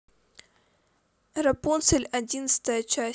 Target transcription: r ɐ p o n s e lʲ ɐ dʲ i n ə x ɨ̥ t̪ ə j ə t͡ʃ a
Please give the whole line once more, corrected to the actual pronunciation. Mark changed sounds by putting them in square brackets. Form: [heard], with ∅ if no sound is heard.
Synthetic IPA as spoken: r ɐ p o n s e lʲ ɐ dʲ i n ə [s] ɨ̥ t̪ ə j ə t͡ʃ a